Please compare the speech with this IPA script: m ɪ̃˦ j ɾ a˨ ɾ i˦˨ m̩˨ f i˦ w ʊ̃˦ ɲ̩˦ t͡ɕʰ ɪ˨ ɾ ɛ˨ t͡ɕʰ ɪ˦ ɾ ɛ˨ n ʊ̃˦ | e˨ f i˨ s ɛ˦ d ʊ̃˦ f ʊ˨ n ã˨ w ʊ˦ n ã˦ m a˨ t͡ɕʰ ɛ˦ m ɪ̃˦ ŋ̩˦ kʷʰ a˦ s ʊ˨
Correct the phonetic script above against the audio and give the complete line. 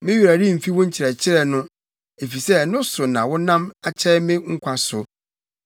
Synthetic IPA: m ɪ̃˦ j ɾ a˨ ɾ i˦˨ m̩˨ f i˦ w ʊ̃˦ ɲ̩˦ t͡ɕʰ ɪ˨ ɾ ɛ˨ t͡ɕʰ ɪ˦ ɾ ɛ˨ n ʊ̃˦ | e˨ f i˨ s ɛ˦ n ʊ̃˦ s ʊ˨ n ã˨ w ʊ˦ n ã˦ m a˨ t͡ɕʰ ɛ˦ m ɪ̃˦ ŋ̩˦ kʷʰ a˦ s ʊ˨